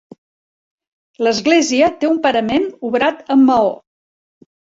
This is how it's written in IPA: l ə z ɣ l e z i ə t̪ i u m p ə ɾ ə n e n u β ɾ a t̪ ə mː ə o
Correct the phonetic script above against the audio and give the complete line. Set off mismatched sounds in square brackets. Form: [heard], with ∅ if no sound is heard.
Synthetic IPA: l ə z ɣ l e z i ə t̪ [e] u m p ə ɾ ə [m] e n u β ɾ a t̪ ə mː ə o